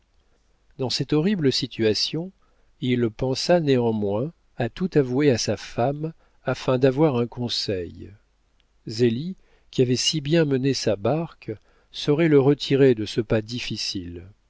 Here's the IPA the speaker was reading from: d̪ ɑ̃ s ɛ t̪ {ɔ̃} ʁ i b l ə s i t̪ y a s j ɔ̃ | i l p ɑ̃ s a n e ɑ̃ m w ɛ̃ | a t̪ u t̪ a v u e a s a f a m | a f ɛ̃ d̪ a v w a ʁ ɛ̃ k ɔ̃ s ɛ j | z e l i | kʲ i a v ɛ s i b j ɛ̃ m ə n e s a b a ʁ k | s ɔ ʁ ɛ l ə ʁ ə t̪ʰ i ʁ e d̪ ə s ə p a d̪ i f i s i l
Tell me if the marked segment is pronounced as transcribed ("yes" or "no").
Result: no